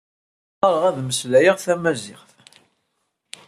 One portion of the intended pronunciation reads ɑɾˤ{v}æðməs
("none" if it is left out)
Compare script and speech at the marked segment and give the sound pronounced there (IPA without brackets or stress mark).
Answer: ʁ